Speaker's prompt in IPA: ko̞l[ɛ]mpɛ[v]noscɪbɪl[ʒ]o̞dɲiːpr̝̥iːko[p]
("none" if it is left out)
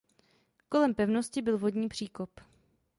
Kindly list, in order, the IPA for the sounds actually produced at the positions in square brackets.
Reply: ɛ, v, v, p

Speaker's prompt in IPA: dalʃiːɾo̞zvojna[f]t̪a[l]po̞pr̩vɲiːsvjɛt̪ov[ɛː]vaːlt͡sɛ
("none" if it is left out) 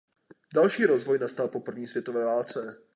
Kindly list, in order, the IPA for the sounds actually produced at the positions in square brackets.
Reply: s, l, ɛː

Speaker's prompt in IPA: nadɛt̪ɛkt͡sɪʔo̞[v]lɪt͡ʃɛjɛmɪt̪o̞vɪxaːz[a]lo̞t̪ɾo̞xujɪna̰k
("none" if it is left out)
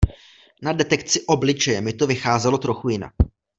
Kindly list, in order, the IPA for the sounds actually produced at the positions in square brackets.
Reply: b, ɛ

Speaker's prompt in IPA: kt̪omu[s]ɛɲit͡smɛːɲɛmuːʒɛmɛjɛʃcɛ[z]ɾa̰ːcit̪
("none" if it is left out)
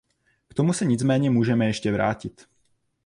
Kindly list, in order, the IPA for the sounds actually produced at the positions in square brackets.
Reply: s, v

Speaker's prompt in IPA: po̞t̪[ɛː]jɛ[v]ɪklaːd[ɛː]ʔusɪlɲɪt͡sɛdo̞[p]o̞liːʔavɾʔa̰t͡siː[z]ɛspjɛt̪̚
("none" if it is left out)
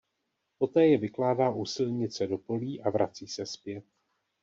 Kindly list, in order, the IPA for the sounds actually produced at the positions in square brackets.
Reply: ɛː, v, aː, p, s

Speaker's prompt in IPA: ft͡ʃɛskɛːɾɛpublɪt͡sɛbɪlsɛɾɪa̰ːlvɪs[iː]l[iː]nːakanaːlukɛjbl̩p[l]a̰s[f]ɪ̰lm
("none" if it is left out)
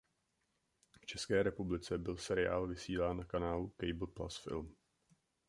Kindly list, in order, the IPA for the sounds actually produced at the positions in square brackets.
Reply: iː, aː, l, f

